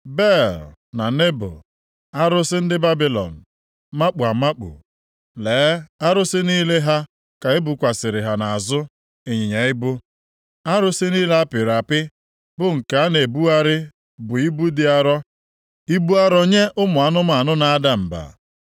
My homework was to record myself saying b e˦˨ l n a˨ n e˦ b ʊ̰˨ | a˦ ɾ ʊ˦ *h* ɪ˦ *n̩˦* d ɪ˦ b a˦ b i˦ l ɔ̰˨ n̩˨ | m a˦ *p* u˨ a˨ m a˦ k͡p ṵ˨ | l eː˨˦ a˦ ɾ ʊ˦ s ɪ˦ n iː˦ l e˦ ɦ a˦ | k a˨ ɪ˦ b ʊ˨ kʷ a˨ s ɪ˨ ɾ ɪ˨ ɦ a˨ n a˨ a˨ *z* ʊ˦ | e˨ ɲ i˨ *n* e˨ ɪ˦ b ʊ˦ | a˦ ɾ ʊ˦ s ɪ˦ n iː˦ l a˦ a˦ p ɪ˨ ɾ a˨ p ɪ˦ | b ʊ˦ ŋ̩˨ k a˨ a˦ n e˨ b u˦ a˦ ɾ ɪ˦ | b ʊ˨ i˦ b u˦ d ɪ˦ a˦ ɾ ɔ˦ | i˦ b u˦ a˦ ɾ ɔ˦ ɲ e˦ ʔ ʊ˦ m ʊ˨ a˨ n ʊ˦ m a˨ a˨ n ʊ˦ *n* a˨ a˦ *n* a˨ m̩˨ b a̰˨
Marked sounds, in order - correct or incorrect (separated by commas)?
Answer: incorrect, correct, incorrect, correct, incorrect, correct, incorrect